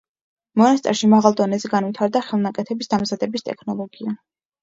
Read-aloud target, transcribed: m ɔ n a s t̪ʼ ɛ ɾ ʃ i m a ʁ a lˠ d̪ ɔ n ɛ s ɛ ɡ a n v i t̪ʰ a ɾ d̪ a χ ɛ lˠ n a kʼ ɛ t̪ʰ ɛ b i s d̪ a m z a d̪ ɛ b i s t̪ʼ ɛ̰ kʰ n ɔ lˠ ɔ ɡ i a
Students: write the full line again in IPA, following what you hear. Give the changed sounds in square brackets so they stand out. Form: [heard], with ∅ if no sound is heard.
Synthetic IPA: m ɔ n a s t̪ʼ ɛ ɾ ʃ i m a ʁ a lˠ d̪ ɔ n ɛ [z] ɛ ɡ a n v i t̪ʰ a ɾ d̪ a χ ɛ lˠ n a kʼ ɛ t̪ʰ ɛ b i s d̪ a m z a d̪ ɛ b i s t̪ʼ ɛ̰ kʰ n ɔ lˠ ɔ ɡ i a